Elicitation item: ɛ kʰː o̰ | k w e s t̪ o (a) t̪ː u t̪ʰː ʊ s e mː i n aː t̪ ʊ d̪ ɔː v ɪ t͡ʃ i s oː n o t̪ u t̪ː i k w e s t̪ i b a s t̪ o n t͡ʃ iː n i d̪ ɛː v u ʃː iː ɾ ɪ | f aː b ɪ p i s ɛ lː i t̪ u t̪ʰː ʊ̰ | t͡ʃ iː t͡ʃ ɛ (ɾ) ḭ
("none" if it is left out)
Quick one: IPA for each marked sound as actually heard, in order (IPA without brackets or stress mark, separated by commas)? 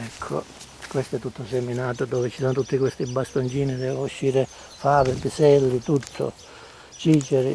ɛ, ɾ